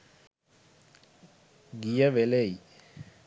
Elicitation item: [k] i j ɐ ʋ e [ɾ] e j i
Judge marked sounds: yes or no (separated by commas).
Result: no, no